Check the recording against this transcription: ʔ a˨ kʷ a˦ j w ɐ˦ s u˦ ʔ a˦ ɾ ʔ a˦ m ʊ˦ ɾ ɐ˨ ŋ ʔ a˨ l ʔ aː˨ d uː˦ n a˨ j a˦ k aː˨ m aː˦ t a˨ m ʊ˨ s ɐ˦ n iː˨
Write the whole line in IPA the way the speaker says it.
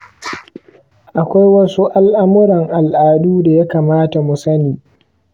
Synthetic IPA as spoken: ʔ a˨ kʷ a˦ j w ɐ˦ s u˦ ʔ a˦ l ʔ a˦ m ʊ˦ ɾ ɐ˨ ŋ ʔ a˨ l ʔ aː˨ d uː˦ d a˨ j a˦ k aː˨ m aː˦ t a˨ m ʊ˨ s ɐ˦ n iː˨